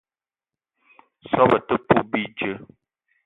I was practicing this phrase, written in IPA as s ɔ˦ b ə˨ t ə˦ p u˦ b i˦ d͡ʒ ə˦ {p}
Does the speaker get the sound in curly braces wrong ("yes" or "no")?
yes